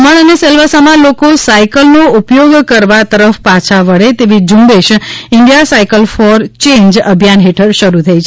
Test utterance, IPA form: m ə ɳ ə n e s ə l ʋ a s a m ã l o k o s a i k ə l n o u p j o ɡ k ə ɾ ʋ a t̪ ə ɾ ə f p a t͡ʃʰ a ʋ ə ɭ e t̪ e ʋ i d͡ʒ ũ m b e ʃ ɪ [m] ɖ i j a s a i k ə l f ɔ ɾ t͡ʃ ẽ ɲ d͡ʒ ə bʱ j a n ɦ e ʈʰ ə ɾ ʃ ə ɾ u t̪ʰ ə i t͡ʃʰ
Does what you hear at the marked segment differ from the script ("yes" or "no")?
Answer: yes